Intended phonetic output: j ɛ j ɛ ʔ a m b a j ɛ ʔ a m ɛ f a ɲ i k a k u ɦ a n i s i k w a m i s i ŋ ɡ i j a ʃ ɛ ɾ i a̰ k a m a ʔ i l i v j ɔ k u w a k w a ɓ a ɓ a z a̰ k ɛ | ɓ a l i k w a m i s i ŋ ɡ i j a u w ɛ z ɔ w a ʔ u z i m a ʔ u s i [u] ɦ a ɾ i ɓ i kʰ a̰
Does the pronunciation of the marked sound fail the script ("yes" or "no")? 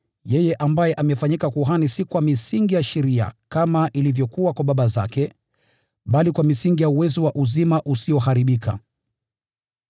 yes